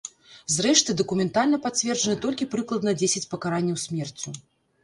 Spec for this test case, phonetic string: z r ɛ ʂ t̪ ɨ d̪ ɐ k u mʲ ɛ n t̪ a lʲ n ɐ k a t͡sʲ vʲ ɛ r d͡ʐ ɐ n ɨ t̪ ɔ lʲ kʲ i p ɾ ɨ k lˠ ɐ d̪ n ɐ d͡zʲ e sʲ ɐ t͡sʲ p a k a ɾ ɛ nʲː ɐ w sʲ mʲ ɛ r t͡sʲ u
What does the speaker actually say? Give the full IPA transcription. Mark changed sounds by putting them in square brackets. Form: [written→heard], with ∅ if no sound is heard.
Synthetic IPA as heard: z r ɛ ʂ t̪ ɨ d̪ ɐ k u mʲ ɛ n t̪ a lʲ n ɐ [k→p] a t͡sʲ vʲ ɛ r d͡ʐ ɐ n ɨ t̪ ɔ lʲ kʲ i p ɾ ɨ k lˠ ɐ d̪ n ɐ d͡zʲ e sʲ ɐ t͡sʲ p [a→ɐ] k a ɾ [ɛ→a] nʲː ɐ w sʲ mʲ ɛ r t͡sʲ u